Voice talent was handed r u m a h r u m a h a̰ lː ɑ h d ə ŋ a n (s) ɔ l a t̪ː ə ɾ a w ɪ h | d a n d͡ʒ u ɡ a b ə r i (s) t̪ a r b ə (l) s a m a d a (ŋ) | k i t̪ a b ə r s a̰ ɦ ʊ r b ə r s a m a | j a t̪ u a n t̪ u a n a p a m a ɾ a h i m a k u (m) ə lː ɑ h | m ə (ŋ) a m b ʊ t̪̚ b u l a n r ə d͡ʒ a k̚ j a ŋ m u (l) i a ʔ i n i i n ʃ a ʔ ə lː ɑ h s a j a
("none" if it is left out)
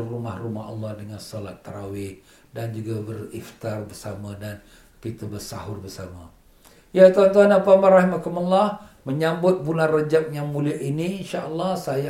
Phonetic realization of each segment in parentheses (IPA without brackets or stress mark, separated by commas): s, f, r, n, m, ɲ, l